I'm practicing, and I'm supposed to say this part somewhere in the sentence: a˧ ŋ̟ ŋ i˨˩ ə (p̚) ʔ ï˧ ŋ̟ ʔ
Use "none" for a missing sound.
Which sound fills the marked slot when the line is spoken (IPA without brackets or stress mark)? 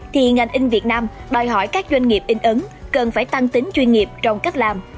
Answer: p̚